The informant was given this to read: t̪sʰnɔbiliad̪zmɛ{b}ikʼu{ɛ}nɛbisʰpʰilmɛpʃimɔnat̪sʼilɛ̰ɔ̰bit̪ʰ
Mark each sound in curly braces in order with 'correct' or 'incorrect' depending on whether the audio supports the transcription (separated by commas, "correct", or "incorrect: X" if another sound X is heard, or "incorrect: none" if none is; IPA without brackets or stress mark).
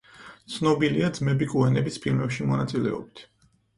correct, correct